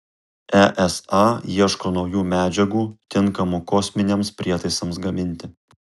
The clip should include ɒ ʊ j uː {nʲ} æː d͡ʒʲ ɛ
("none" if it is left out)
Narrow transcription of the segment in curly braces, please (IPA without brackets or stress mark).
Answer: mʲ